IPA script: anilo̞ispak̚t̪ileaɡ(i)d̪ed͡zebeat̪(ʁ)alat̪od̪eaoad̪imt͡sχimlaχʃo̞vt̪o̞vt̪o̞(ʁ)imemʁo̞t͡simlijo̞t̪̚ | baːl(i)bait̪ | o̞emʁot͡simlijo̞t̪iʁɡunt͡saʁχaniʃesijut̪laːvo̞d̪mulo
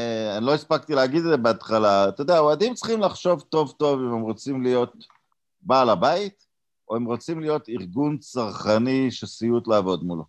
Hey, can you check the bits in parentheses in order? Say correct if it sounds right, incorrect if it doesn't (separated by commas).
correct, incorrect, incorrect, incorrect